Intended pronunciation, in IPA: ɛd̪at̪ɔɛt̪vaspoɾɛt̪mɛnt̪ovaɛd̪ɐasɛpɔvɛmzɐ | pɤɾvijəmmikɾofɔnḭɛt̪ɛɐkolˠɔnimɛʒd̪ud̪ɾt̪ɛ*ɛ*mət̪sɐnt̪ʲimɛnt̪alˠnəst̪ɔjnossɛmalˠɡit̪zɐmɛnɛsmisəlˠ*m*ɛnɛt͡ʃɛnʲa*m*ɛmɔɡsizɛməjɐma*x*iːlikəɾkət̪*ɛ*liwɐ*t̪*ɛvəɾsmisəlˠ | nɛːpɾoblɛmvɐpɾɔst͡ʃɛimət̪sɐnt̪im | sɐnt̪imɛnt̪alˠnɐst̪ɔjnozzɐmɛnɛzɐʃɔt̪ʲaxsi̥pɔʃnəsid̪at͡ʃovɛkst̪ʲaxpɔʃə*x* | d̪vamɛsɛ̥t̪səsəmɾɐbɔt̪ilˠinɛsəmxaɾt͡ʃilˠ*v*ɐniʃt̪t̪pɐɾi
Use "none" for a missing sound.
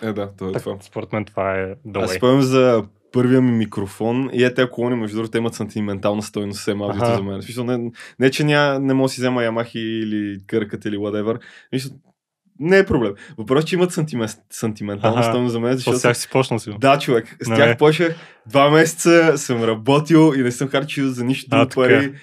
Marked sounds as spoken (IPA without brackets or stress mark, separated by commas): i, n, n, x, i, d̪, x, z